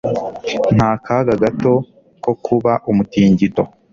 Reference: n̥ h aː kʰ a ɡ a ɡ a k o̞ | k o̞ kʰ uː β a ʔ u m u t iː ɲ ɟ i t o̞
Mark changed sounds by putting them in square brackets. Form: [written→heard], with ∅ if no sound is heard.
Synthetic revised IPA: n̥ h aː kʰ a ɡ a ɡ a [k→t] o̞ | k o̞ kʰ [uː→u] β a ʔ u m u t iː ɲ ɟ i t o̞